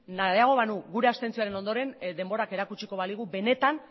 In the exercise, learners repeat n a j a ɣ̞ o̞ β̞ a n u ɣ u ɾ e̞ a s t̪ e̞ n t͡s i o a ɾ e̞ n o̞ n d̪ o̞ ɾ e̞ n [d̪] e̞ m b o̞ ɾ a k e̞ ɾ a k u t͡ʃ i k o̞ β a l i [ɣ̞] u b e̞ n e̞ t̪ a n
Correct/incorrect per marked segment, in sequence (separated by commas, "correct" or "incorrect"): correct, correct